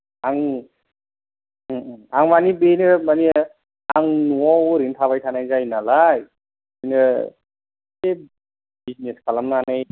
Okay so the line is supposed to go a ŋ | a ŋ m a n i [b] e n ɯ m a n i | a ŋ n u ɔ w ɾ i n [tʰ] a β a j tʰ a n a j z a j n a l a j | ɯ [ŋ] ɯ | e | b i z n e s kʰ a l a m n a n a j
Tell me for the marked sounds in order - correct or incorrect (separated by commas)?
correct, correct, incorrect